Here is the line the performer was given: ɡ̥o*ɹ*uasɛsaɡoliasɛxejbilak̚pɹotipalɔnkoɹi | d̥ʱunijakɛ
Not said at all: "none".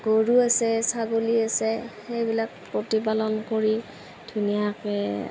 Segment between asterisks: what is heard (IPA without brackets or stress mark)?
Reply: ɹ